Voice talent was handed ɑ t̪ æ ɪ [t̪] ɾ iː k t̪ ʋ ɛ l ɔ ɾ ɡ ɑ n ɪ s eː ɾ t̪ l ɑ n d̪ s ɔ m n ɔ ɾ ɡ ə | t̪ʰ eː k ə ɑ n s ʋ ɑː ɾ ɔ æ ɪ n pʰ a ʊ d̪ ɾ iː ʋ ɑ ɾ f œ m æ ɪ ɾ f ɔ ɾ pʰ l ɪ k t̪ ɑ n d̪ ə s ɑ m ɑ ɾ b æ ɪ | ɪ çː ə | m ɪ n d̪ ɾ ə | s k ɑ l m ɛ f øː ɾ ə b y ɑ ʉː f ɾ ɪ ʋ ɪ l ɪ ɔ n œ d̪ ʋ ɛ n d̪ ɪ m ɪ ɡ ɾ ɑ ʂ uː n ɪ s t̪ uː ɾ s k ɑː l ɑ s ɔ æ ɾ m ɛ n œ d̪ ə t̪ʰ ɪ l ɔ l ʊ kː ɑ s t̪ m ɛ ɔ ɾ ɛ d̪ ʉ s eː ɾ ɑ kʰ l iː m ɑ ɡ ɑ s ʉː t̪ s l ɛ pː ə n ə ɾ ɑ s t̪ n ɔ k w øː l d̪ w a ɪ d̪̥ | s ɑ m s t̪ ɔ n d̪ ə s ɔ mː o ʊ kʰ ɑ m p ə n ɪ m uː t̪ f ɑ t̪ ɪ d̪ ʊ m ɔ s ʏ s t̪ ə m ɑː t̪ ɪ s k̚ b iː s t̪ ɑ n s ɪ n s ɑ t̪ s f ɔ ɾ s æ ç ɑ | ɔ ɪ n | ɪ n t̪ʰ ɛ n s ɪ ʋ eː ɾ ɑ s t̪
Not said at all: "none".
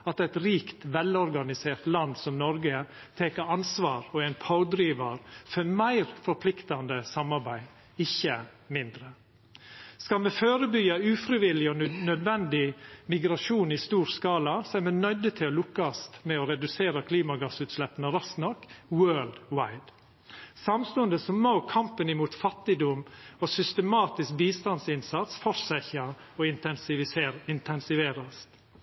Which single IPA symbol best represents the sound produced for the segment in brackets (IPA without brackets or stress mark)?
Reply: t̪